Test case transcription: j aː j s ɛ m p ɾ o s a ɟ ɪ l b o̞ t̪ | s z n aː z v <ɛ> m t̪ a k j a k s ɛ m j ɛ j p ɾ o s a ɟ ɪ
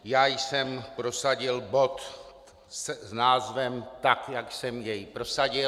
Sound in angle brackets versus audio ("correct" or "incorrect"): correct